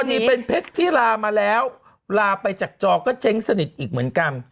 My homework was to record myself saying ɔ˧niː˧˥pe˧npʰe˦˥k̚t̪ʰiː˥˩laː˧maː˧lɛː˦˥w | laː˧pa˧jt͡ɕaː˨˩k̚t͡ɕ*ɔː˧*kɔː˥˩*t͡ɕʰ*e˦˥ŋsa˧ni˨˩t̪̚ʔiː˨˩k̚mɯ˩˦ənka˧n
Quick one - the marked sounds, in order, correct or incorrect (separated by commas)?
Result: correct, correct